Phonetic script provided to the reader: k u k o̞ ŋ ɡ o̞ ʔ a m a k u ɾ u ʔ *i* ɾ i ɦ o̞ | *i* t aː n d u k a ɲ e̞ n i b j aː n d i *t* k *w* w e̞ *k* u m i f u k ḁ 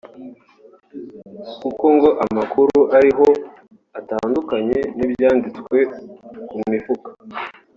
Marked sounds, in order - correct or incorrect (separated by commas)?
incorrect, incorrect, incorrect, correct, correct